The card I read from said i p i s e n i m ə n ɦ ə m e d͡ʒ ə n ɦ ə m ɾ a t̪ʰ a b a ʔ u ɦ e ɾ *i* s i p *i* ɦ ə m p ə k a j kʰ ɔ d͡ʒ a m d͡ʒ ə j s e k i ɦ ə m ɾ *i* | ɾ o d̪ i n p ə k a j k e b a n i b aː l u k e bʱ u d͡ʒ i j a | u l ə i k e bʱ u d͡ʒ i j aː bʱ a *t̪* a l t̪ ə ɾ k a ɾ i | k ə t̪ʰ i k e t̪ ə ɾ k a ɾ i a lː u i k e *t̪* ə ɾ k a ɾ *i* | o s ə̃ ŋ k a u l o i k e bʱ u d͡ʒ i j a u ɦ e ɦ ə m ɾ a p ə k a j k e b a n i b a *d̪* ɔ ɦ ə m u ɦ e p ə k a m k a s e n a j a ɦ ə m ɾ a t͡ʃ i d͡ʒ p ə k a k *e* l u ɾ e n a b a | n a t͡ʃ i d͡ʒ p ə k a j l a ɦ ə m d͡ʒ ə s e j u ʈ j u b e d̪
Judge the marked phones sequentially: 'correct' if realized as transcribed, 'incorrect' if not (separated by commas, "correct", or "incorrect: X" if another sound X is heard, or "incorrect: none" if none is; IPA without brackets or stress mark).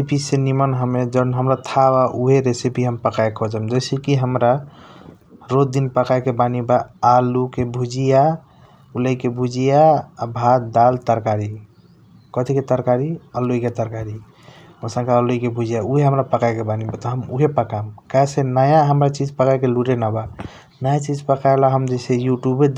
incorrect: e, correct, incorrect: a, incorrect: d̪, correct, correct, incorrect: t̪, correct